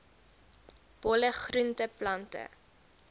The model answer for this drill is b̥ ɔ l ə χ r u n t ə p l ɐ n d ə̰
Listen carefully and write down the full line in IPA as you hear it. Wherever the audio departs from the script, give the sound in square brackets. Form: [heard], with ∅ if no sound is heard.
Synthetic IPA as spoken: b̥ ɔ l ə χ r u n t ə p l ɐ n [t] ə̰